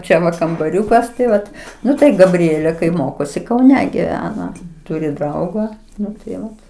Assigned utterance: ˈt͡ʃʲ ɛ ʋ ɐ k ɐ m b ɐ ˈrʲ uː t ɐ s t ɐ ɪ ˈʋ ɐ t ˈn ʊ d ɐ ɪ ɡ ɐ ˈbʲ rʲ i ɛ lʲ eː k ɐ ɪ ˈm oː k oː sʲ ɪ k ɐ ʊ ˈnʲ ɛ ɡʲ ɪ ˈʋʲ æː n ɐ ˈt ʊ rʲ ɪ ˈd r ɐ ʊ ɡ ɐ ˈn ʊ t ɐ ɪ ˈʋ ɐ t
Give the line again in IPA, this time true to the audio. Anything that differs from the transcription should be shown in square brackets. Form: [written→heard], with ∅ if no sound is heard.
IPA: ˈt͡ʃʲ ɛ ʋ ɐ k ɐ m b ɐ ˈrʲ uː [t→k] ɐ s t ɐ ɪ ˈʋ ɐ t ˈn ʊ [d→t] ɐ ɪ ɡ ɐ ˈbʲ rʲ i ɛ lʲ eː k ɐ ɪ ˈm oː k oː sʲ ɪ k ɐ ʊ ˈnʲ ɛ ɡʲ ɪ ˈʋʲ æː n ɐ ˈt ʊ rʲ ɪ ˈd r ɐ ʊ ɡ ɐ ˈn ʊ t ɐ ɪ ˈʋ ɐ t